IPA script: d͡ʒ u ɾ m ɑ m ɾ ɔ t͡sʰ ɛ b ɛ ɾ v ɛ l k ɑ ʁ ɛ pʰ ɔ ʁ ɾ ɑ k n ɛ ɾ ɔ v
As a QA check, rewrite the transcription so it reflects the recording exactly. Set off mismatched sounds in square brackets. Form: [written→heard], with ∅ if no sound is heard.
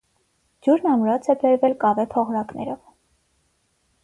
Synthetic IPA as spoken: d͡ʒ u ɾ [m→n] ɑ m ɾ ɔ t͡sʰ ɛ b ɛ ɾ v ɛ l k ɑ [ʁ→v] ɛ pʰ ɔ ʁ ɾ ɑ k n ɛ ɾ ɔ v